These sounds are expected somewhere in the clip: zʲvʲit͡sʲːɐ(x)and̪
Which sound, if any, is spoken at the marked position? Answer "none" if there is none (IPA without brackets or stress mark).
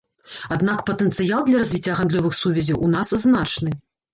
ɣ